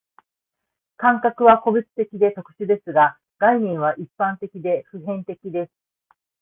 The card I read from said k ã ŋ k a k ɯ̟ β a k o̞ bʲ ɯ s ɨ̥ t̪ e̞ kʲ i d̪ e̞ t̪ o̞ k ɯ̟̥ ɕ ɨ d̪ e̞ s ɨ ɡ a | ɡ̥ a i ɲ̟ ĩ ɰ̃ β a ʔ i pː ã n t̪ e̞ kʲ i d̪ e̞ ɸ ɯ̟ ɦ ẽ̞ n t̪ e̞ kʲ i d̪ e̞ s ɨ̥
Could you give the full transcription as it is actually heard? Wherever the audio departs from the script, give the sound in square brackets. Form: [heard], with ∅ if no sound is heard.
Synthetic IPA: k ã ŋ k a k ɯ̟ β a k o̞ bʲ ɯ [t͡s] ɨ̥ t̪ e̞ kʲ i d̪ e̞ t̪ o̞ k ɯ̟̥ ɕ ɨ d̪ e̞ s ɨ ɡ a | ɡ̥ a i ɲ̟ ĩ ɰ̃ β a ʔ i pː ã n t̪ e̞ kʲ i d̪ e̞ ɸ ɯ̟ ɦ ẽ̞ n t̪ e̞ kʲ i d̪ e̞ s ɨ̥